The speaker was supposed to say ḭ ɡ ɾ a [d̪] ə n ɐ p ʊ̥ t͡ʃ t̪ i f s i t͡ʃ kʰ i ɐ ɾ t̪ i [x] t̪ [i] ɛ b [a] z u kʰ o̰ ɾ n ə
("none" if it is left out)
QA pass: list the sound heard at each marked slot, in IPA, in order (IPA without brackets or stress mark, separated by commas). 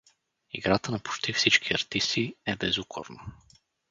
t̪, s, i, ɛ